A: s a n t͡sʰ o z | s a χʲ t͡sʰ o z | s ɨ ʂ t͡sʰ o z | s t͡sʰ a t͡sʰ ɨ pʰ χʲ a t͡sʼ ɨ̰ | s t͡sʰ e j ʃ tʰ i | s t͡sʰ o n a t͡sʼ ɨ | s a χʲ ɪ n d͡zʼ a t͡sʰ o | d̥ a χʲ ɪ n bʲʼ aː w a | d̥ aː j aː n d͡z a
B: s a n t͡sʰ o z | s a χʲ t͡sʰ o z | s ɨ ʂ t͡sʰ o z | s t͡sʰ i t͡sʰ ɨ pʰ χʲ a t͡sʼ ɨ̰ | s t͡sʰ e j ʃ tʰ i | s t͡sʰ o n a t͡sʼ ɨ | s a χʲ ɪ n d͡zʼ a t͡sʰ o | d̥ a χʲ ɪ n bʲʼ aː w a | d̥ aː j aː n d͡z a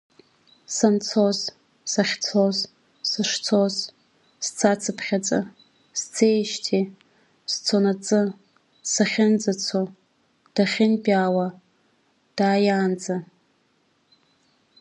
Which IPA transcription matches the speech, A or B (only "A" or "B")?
A